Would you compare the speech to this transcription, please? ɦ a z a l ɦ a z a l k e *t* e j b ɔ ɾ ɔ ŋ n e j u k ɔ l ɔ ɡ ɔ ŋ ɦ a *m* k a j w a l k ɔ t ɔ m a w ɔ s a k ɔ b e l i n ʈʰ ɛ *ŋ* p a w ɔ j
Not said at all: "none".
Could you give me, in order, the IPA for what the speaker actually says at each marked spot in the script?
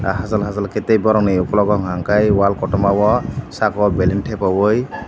t, ŋ, none

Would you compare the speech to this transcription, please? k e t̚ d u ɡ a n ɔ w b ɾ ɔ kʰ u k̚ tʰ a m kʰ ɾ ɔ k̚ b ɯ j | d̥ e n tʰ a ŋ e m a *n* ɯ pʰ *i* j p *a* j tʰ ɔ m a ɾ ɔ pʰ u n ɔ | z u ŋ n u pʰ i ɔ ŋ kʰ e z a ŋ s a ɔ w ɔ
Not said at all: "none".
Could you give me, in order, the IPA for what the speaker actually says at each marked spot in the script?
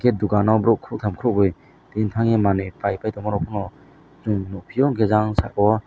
n, a, a

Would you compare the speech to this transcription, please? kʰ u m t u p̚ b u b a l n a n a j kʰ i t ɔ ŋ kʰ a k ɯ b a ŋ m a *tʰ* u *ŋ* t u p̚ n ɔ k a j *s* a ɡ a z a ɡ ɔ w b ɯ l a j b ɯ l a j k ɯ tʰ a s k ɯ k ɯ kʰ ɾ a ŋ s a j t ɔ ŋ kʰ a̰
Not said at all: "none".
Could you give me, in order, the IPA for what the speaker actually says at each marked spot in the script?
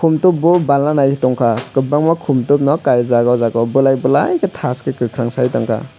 kʰ, m, z

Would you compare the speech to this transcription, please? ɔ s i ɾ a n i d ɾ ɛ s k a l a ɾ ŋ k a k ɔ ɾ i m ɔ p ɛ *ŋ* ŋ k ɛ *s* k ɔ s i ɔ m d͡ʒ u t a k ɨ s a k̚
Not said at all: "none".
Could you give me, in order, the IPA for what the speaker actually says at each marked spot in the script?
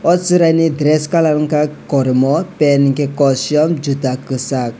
n, none

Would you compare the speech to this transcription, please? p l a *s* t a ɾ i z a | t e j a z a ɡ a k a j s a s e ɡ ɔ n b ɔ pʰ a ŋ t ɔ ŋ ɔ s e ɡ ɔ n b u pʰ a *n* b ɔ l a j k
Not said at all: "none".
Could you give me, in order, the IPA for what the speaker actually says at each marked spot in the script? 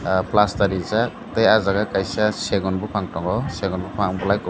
s, ŋ

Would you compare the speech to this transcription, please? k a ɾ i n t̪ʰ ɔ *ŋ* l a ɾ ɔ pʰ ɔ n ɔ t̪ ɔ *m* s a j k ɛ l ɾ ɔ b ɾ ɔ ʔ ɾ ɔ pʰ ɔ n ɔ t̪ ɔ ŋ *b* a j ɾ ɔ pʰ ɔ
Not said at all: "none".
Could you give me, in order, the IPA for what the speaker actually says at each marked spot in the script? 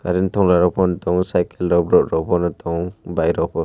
ŋ, ŋ, b

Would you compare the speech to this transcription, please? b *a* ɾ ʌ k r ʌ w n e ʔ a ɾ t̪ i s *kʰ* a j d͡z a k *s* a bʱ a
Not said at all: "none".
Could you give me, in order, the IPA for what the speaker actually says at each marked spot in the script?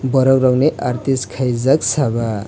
ʌ, kʰ, s

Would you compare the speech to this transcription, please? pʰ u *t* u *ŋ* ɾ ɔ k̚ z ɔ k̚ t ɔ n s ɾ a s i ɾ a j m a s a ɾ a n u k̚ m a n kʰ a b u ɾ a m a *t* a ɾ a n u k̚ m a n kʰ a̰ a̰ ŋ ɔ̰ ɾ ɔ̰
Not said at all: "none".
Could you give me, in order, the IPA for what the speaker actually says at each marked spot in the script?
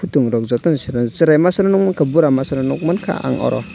t, ŋ, s

